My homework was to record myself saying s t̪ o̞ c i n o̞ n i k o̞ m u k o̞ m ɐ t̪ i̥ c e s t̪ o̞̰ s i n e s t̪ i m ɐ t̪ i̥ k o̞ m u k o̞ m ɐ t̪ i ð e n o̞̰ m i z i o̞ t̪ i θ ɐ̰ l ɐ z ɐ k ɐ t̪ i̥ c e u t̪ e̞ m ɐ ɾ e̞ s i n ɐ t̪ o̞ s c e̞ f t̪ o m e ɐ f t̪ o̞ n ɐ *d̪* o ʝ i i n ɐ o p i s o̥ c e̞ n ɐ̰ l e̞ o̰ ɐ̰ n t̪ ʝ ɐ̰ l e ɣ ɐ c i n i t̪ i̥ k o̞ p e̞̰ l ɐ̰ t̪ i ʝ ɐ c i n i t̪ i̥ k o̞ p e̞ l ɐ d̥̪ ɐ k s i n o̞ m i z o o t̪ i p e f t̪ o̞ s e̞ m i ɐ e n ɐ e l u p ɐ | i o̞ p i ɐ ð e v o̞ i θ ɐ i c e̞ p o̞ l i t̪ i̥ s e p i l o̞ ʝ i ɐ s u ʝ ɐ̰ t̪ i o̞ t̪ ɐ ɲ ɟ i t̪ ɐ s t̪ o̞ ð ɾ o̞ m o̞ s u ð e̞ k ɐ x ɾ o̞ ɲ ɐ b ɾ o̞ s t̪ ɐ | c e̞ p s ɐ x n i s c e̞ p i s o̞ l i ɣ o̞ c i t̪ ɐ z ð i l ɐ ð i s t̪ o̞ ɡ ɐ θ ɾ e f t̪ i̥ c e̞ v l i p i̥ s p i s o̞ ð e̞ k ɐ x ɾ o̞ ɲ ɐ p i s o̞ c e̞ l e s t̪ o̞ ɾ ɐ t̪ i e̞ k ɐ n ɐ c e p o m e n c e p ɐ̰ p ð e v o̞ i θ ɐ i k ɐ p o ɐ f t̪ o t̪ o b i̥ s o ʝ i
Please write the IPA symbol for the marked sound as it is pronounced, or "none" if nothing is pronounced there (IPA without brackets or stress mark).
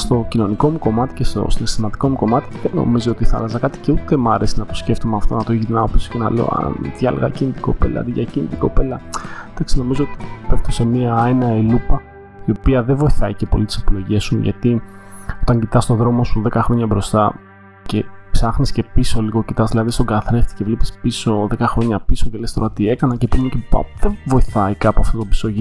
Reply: t̪